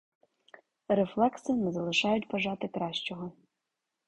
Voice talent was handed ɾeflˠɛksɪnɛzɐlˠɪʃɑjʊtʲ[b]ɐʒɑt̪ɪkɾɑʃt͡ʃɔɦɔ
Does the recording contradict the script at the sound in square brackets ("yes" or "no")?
no